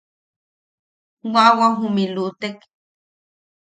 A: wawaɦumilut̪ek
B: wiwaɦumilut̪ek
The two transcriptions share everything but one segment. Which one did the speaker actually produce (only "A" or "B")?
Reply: A